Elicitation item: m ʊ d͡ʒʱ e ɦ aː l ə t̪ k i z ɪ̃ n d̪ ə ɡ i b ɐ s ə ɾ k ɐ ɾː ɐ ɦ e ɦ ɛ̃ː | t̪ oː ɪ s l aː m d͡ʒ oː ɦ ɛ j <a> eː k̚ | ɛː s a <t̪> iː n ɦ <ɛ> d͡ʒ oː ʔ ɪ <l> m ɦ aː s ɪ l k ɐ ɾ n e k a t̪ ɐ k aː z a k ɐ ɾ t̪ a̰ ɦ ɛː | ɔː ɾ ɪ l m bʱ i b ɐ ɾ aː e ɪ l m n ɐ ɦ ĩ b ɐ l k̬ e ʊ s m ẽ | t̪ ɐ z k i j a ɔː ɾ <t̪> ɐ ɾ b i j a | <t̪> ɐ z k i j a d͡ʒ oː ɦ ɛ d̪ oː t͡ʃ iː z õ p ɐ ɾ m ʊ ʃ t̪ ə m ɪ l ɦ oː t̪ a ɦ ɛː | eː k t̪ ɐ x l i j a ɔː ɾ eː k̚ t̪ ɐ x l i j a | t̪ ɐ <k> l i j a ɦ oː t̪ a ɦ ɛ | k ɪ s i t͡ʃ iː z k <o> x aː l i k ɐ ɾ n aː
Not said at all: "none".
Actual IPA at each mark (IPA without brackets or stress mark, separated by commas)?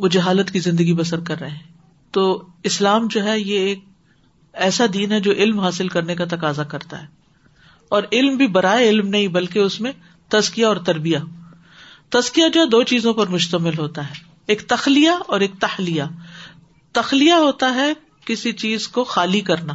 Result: e, d̪, ɛ, l, t̪, t̪, x, o